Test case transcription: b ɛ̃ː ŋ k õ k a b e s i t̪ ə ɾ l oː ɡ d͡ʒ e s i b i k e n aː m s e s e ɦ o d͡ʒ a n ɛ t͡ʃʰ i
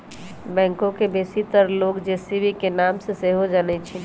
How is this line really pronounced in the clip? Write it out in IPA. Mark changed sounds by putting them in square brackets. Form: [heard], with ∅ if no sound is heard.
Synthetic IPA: b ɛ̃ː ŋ k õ k [e] b e s i t̪ ə ɾ l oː ɡ d͡ʒ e s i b i k e n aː m s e s e ɦ o d͡ʒ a n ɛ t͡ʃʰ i